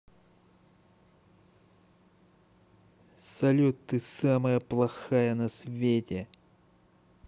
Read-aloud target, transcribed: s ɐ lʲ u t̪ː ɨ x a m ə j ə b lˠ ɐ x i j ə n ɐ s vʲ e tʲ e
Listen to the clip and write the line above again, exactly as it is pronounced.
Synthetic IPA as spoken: s ɐ lʲ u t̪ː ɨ s a m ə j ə p lˠ ɐ x a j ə n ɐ s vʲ e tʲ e